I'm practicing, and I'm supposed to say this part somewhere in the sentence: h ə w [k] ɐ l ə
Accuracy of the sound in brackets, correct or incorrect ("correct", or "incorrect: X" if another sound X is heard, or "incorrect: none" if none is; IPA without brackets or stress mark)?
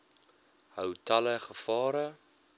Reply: incorrect: t